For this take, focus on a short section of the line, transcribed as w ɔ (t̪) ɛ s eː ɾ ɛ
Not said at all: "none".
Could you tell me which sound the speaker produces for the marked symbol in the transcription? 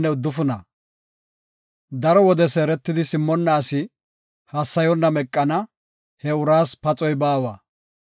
d̪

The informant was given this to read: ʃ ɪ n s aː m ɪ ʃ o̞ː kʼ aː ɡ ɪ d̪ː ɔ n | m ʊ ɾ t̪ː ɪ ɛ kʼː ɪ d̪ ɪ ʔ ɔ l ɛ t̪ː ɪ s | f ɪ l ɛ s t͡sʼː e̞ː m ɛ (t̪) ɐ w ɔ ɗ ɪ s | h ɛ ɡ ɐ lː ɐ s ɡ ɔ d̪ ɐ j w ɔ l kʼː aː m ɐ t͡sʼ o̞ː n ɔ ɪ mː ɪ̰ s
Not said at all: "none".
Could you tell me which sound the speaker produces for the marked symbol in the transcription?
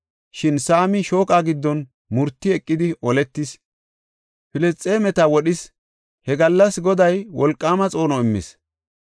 t̪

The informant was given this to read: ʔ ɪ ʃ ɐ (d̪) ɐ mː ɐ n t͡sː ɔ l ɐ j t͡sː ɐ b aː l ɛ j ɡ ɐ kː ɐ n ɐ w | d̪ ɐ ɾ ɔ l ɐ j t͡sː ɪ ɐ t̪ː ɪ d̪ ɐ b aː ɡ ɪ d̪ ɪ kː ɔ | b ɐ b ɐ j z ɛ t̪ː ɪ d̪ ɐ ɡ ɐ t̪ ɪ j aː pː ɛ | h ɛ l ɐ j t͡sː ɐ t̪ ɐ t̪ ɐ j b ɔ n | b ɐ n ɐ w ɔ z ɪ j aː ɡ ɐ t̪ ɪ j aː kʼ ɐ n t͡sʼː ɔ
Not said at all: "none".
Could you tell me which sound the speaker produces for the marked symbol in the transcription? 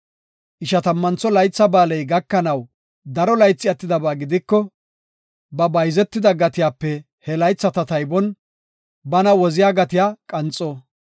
t̪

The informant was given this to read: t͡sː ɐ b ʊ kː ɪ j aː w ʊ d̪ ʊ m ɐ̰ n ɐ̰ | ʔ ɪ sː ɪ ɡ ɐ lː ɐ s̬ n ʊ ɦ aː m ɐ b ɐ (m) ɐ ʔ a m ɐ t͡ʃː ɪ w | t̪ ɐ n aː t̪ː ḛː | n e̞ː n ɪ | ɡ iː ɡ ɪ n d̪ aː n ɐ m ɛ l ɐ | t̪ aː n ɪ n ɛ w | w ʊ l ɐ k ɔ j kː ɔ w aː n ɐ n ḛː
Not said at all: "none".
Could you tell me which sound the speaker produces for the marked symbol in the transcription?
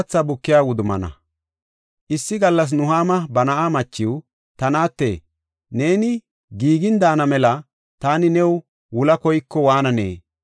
n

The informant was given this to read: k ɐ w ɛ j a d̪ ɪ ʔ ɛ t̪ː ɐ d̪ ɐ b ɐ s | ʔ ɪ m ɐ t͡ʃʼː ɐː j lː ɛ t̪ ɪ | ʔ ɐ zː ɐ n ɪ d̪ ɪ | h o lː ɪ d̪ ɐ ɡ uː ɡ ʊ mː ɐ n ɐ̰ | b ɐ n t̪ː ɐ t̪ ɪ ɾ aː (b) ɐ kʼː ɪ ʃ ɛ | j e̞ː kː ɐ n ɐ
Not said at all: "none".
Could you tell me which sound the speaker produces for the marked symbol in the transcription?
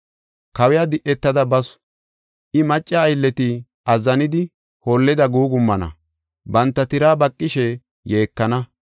b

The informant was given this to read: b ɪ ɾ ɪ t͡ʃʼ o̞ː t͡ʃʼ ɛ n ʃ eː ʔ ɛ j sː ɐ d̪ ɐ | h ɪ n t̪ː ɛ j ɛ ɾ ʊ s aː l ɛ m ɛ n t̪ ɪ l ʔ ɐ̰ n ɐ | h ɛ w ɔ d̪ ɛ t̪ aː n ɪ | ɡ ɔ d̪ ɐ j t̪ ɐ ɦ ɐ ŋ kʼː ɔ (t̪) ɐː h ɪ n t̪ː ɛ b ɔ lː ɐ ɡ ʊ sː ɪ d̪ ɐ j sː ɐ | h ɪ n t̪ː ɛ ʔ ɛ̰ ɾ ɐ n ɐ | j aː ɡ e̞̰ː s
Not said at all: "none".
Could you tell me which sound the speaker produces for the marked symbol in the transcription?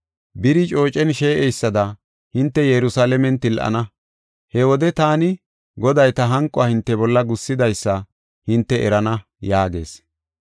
none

